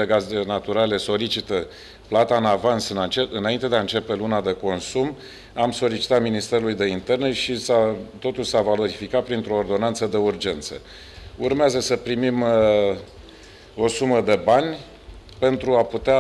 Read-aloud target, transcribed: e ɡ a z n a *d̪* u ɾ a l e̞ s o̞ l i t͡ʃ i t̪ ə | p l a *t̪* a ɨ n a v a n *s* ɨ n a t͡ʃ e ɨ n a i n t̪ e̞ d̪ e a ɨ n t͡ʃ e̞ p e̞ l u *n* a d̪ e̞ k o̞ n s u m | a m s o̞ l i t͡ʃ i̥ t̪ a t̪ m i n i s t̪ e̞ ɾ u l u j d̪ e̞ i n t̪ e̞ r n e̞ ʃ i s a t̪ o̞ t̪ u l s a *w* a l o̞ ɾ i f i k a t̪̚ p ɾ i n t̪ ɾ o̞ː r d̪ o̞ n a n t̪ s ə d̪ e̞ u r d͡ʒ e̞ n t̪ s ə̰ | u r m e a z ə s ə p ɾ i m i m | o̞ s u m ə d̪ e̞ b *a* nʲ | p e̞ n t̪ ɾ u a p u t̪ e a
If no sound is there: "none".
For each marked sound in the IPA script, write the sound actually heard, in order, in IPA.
t̪, t̪, s, n, v, a

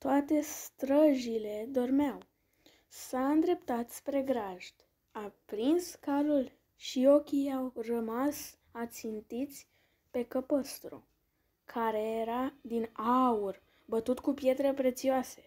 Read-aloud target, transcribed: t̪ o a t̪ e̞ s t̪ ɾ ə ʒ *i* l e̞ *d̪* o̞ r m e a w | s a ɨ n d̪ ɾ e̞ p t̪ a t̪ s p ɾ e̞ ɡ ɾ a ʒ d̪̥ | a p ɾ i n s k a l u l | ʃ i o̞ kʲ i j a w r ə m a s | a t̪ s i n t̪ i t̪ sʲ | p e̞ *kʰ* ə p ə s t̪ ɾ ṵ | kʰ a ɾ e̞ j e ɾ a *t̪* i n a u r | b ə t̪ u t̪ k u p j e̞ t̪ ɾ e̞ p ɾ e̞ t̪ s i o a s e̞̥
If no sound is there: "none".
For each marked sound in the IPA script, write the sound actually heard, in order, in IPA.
i, d̪, k, d̪

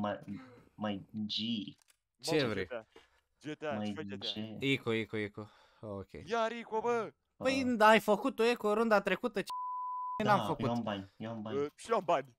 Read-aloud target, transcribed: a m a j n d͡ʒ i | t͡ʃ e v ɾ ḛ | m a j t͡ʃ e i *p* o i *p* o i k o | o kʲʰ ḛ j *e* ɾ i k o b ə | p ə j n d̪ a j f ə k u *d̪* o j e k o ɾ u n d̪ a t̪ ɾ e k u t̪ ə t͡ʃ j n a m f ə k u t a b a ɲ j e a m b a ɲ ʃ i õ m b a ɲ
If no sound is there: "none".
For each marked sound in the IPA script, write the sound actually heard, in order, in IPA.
k, k, a, t̪

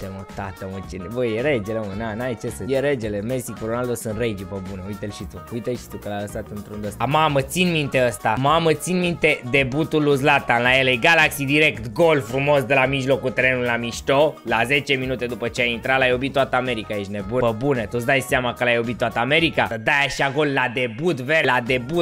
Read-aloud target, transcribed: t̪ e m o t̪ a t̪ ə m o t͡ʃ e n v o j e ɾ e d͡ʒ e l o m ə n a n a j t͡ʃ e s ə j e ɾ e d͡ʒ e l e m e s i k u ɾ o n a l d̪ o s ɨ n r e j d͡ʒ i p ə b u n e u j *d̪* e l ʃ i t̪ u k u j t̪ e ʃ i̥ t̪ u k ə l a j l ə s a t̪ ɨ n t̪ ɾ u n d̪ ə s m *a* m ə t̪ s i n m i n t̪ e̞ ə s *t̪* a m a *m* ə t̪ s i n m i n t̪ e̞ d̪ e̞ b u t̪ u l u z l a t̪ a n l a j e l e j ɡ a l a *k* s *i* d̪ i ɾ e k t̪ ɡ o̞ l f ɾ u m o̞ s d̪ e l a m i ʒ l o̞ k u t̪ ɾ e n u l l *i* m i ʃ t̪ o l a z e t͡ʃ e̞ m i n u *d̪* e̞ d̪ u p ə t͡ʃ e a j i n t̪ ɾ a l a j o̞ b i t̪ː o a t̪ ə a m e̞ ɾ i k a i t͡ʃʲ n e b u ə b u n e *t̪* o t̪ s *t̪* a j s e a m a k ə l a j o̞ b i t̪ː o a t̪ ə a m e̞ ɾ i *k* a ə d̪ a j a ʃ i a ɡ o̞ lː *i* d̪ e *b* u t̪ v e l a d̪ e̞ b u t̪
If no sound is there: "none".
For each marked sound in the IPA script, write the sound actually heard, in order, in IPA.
t̪, a, t̪, m, k, i, a, t̪, t̪, d̪, k, a, b

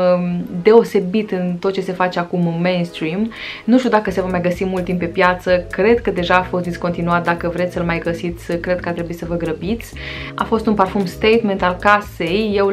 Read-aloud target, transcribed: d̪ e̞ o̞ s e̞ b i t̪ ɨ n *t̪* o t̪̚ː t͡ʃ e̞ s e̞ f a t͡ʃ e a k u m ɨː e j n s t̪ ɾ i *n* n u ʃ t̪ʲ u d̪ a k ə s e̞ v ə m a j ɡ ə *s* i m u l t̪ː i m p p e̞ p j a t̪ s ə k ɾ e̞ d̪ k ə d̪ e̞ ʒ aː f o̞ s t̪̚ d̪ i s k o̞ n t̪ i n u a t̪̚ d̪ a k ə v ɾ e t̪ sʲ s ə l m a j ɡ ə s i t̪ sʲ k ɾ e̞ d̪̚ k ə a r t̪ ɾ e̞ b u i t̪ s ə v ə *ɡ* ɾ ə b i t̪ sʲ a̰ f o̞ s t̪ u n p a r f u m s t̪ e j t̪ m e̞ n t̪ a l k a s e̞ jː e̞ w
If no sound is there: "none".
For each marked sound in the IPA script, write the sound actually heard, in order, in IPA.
t̪, m, s, ɡ

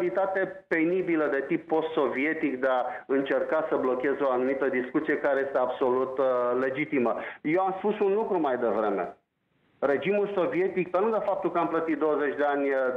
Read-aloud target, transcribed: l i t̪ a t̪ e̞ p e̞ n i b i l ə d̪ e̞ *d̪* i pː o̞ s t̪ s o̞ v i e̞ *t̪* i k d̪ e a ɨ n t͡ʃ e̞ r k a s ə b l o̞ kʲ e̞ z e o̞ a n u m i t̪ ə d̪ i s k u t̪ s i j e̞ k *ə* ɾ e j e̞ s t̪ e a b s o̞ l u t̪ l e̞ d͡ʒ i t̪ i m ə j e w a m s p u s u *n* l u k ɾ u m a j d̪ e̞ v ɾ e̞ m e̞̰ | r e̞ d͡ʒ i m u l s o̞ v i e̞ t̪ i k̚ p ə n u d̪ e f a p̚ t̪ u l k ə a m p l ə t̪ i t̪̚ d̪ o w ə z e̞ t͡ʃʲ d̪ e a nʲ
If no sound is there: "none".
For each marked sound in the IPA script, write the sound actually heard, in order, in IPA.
t̪, t̪, a, n

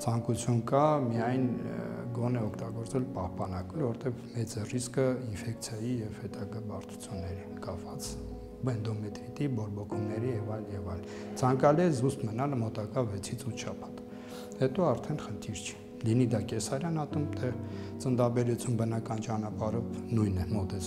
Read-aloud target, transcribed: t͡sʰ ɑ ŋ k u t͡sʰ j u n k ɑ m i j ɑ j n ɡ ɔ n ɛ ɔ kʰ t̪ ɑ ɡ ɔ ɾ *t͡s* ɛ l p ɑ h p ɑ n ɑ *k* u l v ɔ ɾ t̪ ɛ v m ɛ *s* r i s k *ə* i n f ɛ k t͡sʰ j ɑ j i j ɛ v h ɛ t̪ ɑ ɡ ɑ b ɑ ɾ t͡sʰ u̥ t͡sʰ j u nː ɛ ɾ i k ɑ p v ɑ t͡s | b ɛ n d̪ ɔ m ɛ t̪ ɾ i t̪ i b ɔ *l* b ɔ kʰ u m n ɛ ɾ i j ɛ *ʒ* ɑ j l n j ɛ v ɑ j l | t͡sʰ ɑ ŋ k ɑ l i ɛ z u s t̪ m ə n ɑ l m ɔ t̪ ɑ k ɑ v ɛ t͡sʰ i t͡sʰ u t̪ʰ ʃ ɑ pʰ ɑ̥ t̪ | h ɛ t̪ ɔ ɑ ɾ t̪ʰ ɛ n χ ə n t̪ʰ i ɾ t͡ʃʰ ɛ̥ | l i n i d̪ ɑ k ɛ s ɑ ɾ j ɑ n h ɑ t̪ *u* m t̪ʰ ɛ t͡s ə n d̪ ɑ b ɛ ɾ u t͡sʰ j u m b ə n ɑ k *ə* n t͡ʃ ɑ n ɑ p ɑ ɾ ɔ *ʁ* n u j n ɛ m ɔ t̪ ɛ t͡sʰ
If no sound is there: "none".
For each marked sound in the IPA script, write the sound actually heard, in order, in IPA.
t͡s, k, t͡s, ə, ɾ, v, u, ɑ, v

